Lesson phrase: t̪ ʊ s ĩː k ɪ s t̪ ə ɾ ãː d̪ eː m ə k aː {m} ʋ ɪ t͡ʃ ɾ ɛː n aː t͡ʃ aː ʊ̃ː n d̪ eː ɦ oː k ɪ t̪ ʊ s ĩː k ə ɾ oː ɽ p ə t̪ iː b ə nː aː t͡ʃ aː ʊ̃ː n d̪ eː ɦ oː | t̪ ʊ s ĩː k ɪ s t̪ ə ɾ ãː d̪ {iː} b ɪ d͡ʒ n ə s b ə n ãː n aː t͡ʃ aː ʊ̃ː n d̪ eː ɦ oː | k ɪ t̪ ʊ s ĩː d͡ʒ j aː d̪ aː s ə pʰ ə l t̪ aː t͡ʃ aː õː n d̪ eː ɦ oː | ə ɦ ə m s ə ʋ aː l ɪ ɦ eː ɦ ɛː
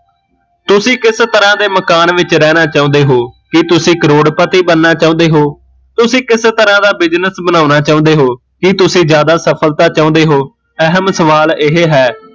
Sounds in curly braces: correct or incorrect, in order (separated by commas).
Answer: incorrect, incorrect